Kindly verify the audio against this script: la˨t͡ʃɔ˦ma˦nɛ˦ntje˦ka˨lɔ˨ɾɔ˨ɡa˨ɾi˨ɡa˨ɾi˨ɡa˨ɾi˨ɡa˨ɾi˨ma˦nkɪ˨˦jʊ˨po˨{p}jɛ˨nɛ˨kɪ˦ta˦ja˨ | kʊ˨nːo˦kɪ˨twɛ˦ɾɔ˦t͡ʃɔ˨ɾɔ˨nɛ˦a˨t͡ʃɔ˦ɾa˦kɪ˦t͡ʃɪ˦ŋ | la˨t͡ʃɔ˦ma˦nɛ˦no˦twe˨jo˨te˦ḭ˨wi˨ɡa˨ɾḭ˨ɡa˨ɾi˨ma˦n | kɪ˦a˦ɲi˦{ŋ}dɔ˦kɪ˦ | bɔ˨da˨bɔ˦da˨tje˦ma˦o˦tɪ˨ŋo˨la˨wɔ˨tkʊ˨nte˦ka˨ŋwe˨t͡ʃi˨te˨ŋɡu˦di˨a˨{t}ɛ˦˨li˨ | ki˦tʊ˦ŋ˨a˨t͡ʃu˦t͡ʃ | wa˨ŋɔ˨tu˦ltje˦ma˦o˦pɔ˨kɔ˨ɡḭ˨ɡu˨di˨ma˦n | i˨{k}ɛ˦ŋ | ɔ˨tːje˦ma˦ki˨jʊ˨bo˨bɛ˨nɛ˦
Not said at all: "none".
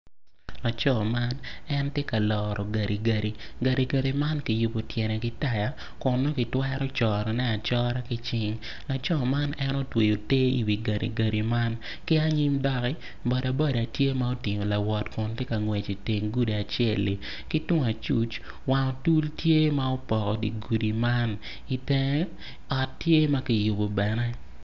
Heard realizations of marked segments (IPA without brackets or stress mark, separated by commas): t, m, t͡ʃ, t